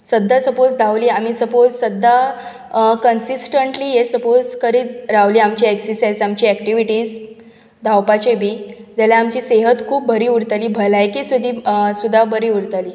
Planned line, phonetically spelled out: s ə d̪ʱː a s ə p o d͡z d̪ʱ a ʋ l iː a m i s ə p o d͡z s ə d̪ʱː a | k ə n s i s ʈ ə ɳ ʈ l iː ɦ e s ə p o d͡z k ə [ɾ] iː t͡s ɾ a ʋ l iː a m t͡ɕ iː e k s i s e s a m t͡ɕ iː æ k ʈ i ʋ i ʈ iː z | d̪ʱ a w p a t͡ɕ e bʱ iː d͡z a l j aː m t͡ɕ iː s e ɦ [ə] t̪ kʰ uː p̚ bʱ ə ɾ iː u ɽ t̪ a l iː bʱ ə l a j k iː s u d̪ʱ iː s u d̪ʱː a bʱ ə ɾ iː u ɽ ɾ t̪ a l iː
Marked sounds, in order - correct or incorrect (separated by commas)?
correct, correct